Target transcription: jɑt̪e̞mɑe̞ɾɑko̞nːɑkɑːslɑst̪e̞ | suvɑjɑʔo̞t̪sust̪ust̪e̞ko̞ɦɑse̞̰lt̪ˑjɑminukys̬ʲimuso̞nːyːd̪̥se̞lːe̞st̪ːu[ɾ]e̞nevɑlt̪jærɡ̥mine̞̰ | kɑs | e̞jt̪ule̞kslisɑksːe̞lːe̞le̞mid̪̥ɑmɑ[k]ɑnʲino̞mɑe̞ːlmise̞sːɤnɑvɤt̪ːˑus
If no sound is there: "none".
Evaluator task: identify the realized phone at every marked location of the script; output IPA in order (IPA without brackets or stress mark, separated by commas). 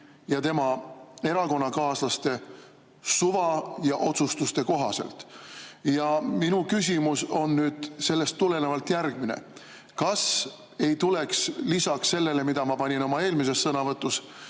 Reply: l, p